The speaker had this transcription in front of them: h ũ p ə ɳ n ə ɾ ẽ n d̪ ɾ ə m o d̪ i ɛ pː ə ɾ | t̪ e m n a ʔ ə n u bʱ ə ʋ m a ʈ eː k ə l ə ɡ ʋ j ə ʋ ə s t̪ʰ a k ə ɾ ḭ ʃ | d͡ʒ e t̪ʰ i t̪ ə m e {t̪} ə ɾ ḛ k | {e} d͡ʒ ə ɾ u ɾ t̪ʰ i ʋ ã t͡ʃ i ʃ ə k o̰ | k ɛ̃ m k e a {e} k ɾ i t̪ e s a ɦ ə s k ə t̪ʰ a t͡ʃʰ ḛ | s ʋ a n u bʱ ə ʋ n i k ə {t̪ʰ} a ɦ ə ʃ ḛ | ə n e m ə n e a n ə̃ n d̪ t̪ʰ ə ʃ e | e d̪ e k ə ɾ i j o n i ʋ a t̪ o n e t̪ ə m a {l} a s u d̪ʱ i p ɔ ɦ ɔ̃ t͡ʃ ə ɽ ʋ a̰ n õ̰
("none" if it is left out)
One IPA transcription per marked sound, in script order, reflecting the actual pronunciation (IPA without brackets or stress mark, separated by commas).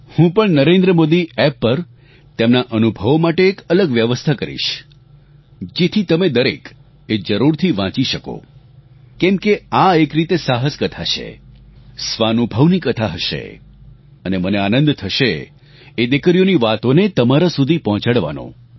d̪, e, e, t̪ʰ, ɾ